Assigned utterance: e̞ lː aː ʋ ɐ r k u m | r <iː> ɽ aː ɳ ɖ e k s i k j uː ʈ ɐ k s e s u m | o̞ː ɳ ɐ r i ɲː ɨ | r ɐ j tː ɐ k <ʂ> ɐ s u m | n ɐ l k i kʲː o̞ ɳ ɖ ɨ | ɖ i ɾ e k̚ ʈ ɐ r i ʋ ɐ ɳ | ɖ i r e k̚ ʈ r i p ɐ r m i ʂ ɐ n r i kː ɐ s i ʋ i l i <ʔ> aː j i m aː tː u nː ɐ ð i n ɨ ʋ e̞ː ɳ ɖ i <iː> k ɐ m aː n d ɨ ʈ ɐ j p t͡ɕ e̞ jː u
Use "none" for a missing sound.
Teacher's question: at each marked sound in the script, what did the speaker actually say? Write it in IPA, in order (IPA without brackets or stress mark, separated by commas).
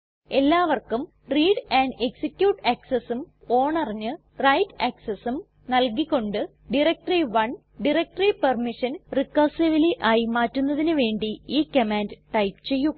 iː, s, ʔ, iː